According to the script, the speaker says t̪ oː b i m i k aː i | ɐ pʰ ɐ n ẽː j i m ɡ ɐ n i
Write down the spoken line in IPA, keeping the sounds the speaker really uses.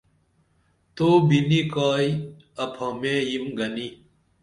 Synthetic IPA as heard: t̪ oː b i n i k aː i | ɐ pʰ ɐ m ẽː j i m ɡ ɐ n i